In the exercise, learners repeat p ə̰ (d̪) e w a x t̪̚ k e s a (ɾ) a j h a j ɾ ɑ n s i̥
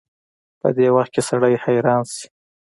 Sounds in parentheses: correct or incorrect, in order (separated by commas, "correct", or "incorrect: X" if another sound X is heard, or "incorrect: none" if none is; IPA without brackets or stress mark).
correct, incorrect: ɽ